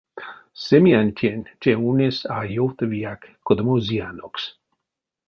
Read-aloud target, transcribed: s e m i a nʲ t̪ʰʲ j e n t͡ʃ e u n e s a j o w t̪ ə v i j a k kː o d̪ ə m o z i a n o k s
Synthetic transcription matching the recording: s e m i a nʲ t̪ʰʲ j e n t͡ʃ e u n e s a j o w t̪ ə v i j a k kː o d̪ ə m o z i a n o k s